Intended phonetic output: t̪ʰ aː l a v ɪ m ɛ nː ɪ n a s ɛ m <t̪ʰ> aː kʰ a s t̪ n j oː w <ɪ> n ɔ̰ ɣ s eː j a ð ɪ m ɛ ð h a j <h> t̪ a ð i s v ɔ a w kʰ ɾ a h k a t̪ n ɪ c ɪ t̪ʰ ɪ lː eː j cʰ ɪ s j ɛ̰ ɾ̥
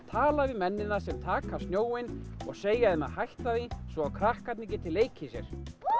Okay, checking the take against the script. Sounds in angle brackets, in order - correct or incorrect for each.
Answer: correct, correct, correct

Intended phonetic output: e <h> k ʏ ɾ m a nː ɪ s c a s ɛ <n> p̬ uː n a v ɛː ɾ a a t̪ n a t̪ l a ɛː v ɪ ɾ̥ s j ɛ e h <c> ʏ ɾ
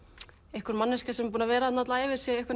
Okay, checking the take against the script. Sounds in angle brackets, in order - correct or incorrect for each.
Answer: correct, incorrect: m, incorrect: k

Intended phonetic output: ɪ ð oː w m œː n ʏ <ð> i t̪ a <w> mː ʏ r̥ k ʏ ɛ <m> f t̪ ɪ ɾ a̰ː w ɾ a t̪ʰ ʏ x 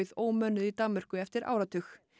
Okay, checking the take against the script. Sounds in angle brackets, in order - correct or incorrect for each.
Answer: correct, incorrect: none, incorrect: none

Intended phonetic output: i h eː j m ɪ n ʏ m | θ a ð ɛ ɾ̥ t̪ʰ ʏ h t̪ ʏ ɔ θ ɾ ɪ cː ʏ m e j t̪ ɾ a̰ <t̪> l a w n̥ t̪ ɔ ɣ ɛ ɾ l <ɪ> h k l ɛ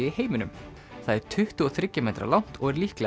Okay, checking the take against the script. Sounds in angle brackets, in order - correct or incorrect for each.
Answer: incorrect: none, incorrect: i

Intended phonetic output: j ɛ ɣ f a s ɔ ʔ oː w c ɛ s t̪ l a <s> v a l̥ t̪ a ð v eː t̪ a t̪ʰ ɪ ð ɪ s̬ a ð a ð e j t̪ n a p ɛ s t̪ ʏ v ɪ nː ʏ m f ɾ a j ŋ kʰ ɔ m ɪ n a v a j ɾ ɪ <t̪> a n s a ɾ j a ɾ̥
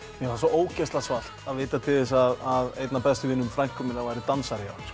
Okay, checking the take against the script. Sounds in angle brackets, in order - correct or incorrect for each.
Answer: correct, correct

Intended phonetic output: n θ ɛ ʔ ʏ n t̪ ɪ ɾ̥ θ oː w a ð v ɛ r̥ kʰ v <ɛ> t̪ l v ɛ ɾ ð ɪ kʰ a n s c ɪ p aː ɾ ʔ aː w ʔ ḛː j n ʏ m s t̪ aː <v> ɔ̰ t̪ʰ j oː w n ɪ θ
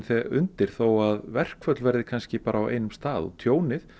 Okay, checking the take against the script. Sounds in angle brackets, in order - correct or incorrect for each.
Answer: incorrect: œ, incorrect: ð

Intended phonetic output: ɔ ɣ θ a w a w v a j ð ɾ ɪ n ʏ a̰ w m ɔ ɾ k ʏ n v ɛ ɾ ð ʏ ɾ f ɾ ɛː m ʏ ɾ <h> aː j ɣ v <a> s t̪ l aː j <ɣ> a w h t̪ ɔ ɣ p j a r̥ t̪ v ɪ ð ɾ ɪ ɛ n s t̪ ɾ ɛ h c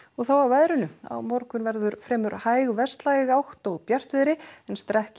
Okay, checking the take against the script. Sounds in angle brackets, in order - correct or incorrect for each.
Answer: correct, incorrect: ɛ, correct

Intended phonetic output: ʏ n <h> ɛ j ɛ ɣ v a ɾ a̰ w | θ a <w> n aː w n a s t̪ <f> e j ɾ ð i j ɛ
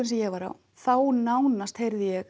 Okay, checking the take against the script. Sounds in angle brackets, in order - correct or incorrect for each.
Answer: incorrect: s, correct, incorrect: h

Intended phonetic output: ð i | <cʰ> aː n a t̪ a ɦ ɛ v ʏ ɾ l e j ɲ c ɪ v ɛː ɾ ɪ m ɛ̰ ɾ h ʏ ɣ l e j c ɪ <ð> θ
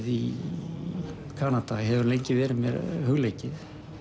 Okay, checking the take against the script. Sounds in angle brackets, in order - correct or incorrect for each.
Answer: incorrect: kʰ, incorrect: none

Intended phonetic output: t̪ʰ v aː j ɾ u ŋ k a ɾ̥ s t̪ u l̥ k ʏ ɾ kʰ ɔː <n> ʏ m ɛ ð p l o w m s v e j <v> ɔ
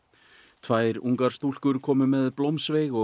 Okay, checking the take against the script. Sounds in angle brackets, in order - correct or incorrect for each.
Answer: incorrect: m, incorrect: ɣ

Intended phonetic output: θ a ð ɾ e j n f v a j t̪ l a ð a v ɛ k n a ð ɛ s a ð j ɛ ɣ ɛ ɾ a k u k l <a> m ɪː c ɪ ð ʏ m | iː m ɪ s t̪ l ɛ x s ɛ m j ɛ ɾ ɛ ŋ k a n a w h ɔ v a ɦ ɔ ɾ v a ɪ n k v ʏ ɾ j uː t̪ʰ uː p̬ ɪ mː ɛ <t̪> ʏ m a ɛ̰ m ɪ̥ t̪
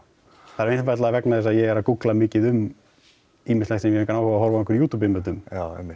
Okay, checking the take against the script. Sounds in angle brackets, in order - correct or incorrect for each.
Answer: correct, correct

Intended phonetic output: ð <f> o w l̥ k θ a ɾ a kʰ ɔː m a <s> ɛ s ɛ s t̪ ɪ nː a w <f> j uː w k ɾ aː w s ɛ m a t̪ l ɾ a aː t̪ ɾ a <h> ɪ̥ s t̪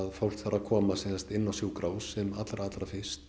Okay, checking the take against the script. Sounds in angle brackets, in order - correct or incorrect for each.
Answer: correct, correct, incorrect: s, incorrect: f

